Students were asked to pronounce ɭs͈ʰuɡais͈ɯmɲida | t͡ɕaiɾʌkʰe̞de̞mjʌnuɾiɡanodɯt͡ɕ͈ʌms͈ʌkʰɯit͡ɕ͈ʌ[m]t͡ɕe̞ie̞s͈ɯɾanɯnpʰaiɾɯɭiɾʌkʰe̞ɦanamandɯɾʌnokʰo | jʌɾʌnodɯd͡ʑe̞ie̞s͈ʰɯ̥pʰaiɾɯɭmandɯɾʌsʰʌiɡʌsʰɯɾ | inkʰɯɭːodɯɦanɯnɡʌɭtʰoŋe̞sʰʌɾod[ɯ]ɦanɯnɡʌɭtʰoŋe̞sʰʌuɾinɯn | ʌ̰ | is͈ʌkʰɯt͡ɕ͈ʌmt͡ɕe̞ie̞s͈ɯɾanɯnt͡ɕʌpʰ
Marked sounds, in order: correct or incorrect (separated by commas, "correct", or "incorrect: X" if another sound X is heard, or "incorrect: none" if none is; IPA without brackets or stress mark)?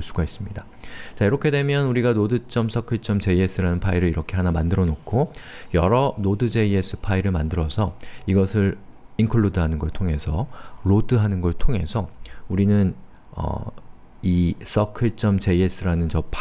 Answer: correct, correct